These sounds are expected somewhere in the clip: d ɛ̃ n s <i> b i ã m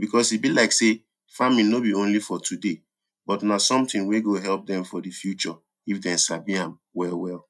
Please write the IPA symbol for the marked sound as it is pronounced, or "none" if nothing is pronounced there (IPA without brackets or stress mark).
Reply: a